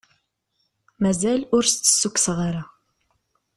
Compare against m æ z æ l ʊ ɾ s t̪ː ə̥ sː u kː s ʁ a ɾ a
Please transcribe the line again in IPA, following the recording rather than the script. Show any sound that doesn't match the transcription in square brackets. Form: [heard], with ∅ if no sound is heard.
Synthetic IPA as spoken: m æ z æ l ʊ ɾ s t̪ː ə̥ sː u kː s ʁ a ɾ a